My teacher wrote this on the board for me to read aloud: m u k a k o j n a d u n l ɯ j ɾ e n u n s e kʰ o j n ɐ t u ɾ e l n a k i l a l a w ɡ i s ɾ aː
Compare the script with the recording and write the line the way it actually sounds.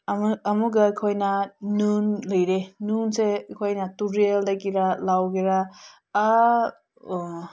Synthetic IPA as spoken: m u ɡ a kʰ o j n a n u n l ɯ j ɾ e n u n s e kʰ o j n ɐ t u ɾ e l d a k i ɾ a l a w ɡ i ɾ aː